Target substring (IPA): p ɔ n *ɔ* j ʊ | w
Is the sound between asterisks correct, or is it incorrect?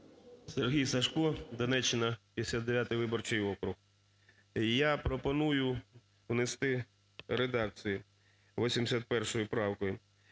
incorrect